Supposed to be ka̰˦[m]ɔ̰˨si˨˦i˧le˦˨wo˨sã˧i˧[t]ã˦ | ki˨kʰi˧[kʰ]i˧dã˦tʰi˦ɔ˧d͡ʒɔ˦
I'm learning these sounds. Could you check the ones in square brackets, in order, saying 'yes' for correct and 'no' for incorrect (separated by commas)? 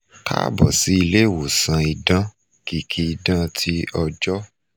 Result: no, no, no